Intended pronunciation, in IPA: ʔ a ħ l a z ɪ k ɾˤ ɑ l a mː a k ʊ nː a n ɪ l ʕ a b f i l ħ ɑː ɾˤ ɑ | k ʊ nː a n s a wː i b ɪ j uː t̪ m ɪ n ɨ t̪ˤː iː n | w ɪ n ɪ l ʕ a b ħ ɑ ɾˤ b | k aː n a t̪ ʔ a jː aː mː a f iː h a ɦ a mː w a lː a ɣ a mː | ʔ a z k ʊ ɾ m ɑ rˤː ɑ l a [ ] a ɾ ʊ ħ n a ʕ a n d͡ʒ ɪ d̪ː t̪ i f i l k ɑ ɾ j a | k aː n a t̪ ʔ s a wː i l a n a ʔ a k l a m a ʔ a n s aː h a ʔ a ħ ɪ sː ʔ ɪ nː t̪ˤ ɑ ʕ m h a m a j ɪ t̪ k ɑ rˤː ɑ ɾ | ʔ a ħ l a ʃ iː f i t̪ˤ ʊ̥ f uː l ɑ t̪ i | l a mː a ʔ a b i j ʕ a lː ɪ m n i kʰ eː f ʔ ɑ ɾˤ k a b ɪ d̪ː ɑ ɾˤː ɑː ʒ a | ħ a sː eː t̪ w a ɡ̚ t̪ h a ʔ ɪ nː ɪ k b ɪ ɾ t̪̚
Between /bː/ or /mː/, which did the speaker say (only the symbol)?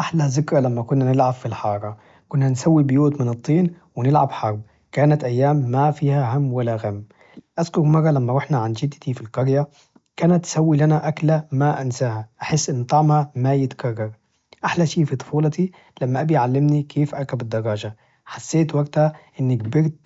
mː